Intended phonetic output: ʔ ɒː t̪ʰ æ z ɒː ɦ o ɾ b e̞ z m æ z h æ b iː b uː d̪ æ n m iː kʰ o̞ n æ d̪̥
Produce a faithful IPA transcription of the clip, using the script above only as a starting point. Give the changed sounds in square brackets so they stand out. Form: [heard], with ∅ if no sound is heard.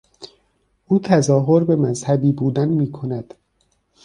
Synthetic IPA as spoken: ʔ [uː] t̪ʰ æ z ɒː ɦ o ɾ b e̞ [∅] m æ z h æ b iː b uː d̪ æ n m iː kʰ o̞ n æ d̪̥